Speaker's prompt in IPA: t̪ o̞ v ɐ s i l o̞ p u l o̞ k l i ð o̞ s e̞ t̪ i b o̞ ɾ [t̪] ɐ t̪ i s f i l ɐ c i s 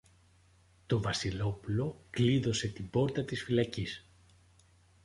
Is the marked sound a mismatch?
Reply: no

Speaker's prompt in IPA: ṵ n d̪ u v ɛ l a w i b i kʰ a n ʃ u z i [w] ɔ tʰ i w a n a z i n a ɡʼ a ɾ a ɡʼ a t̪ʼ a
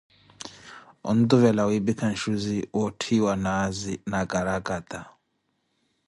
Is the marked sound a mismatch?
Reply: no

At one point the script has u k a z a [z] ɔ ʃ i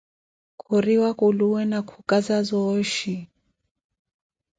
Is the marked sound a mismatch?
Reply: no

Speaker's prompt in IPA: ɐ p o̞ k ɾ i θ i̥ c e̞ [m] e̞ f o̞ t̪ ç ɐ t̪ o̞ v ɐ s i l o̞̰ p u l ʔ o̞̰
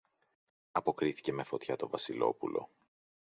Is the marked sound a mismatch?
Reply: no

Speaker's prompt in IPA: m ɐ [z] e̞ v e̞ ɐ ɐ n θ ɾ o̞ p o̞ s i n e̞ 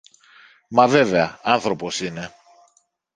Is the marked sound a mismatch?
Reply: yes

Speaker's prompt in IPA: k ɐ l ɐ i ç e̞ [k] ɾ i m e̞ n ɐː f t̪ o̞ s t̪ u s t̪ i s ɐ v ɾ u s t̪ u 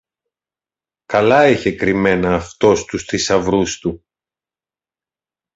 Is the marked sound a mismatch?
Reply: no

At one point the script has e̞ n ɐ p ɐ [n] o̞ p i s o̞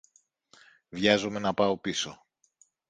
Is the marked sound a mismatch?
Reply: yes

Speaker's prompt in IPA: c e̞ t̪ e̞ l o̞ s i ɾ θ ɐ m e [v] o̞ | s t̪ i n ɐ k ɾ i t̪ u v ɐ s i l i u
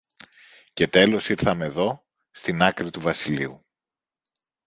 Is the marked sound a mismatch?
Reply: yes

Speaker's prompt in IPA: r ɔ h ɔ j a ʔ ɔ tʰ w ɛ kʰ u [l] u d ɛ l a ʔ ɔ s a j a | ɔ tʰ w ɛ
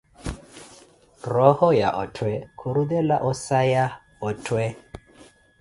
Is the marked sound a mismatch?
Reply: yes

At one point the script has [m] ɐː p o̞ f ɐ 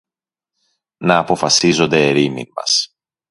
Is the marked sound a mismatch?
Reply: yes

